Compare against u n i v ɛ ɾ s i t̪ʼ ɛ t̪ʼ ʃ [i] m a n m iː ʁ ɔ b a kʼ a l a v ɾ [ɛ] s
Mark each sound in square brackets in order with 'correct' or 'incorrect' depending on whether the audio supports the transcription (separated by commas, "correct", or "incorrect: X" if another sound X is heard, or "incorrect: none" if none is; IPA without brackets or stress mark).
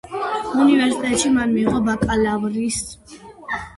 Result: correct, incorrect: i